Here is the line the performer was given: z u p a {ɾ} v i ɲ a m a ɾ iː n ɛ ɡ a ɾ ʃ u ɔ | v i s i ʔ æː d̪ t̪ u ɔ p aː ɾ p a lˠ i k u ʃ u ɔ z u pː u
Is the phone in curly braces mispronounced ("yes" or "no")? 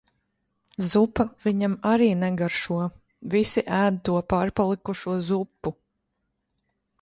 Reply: yes